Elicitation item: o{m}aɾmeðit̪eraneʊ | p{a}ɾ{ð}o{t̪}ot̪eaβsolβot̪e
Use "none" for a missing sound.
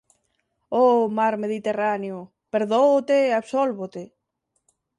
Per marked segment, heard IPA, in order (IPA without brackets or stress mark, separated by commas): m, e, ð, none